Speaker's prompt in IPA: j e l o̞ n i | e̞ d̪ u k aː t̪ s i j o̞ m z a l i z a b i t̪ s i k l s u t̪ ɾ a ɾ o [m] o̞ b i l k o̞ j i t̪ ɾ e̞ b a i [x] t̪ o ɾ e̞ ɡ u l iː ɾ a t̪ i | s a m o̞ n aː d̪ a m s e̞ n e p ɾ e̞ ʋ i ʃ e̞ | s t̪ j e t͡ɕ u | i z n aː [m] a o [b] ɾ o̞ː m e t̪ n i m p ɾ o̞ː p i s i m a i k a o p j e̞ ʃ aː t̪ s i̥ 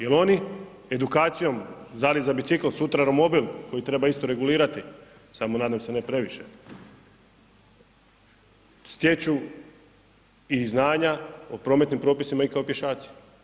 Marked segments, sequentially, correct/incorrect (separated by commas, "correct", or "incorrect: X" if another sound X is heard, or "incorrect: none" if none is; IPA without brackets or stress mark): correct, incorrect: s, incorrect: ɲ, incorrect: p